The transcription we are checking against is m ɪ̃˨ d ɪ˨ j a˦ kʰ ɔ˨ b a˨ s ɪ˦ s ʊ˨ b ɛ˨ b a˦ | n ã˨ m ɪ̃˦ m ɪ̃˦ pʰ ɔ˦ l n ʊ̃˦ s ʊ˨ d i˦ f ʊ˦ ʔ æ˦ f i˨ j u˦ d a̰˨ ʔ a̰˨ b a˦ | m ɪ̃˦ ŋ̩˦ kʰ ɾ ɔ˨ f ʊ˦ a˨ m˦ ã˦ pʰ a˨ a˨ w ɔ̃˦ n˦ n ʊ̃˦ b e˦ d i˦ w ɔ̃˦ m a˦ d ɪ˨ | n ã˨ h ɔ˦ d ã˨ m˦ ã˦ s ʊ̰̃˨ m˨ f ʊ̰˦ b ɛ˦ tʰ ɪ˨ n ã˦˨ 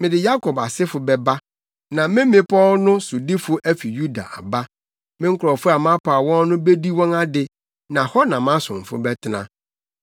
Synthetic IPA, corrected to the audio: m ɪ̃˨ d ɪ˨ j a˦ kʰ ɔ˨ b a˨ s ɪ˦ f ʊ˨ b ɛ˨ b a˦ | n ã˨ m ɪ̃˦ m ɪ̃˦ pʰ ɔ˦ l n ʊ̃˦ s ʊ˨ d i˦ f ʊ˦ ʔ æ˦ f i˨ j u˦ d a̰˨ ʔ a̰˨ b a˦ | m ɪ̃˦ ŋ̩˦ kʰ ɾ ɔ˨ f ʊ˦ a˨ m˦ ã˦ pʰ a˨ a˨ w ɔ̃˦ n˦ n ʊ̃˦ b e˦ d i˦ w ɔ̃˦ n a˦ d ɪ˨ | n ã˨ h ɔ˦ n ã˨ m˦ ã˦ s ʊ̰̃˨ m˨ f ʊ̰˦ b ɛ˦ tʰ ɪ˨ n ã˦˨